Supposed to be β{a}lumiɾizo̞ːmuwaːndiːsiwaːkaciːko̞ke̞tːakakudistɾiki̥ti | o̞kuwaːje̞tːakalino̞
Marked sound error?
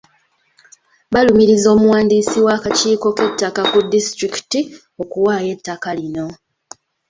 no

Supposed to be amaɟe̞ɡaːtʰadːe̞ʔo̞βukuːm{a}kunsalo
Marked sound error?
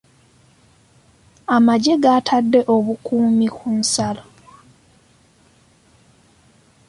yes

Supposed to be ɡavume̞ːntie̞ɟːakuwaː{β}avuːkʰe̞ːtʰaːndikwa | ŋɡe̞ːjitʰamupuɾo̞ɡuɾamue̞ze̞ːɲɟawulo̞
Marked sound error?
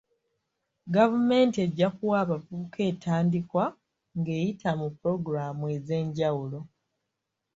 no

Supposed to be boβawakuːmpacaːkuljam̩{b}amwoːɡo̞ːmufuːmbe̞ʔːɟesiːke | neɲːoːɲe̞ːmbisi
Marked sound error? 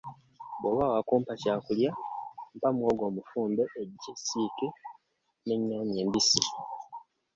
yes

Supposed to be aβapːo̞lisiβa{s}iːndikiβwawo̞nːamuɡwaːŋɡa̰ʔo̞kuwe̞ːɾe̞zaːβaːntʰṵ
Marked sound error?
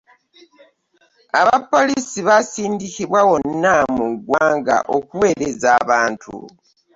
no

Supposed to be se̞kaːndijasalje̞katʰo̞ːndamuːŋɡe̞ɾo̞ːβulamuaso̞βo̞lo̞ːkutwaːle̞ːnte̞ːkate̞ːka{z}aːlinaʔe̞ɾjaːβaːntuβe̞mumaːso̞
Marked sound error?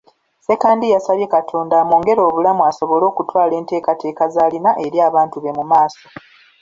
no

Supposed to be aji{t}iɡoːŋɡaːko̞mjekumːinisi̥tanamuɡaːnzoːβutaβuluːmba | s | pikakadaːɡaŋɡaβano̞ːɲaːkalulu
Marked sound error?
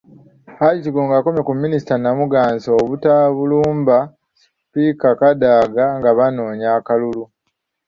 no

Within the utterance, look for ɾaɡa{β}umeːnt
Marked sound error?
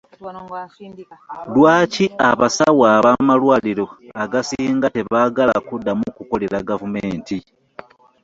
yes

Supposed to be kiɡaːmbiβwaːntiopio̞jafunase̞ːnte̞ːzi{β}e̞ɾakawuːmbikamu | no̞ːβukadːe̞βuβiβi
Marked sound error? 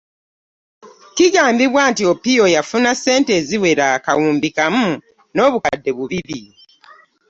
yes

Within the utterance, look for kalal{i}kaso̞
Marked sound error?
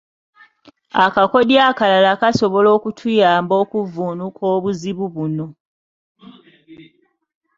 yes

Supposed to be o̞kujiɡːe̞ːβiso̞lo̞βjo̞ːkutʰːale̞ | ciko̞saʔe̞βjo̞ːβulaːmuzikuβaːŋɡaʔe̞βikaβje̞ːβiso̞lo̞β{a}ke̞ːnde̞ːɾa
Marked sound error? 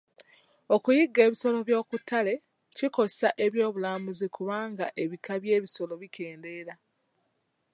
yes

